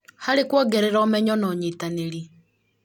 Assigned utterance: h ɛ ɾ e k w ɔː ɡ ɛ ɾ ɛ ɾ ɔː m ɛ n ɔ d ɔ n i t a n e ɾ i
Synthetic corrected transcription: h a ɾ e k w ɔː ɡ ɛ ɾ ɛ ɾ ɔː m ɛ ɲ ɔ n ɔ ɲ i t a n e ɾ i